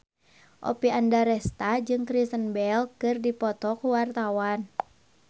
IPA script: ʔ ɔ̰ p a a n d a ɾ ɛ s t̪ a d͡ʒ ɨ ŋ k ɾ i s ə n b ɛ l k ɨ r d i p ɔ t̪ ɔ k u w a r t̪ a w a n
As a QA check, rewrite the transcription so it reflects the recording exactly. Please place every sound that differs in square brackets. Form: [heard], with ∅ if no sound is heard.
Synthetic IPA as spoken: ʔ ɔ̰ p [i] a n d a ɾ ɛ s t̪ a d͡ʒ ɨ ŋ k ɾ i s ə n b ɛ l k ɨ r d i p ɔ t̪ ɔ k u w a r t̪ a w a n